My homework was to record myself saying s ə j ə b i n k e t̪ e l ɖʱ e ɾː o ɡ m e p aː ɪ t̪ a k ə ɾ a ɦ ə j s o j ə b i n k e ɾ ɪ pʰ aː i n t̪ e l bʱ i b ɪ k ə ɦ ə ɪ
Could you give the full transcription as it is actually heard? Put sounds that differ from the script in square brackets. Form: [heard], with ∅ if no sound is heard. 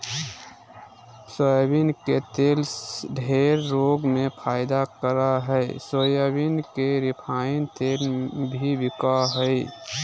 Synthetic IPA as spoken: s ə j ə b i n k e t̪ e l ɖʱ e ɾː o ɡ m e [pʰ] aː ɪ [d̪] a k ə ɾ a ɦ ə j s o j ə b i n k e ɾ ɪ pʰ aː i n t̪ e l bʱ i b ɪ k [a] ɦ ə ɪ